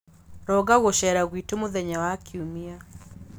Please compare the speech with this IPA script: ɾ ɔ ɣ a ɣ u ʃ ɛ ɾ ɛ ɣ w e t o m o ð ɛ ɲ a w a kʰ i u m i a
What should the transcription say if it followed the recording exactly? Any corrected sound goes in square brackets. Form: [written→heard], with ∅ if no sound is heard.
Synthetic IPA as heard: ɾ ɔ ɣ a ɣ [u→o] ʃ ɛ ɾ [ɛ→a] ɣ w [e→i] t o m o ð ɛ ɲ a w a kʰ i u m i a